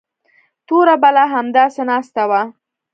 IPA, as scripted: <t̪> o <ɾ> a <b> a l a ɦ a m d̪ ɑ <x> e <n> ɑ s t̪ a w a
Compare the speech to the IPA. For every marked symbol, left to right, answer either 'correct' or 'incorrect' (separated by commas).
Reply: correct, correct, correct, incorrect, correct